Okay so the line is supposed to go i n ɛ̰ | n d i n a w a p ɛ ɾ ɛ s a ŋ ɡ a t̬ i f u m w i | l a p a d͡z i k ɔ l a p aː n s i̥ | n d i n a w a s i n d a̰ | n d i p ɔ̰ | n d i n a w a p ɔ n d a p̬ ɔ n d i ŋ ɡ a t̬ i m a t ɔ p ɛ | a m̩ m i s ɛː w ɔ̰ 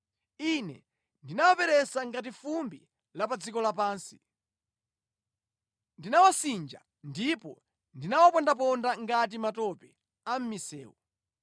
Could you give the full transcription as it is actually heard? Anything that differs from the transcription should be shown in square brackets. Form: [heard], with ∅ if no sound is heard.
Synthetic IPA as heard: i n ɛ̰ | n d i n a w a p ɛ ɾ ɛ s a ŋ ɡ a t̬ i f u m [b] i | l a p a d͡z i k ɔ l a p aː n s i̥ | n d i n a w a s i n [d͡ʒ] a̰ | n d i p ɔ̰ | n d i n a w a p ɔ n d a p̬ ɔ n d [a] ŋ ɡ a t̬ i m a t ɔ p ɛ | a m̩ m i s ɛː w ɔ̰